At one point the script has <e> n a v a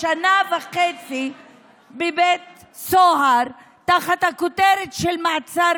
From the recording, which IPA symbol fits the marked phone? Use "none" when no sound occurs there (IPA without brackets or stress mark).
a